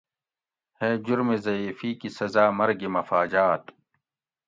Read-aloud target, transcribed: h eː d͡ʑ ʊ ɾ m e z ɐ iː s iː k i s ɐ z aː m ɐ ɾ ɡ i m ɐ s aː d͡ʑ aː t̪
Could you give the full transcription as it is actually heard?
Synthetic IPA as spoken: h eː d͡ʑ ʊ ɾ m e z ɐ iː f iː k i s ɐ z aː m ɐ ɾ ɡ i m ɐ f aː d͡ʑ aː t̪